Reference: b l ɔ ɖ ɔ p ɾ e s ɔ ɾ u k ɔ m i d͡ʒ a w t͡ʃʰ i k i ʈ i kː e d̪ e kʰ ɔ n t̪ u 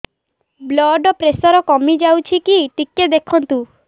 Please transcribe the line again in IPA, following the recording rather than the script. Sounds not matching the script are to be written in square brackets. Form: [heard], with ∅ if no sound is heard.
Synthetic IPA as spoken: b l ɔ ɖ ɔ p ɾ e s ɔ ɾ [ɔ] k ɔ m i d͡ʒ a w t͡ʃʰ i k i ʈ i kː e d̪ e kʰ ɔ n t̪ u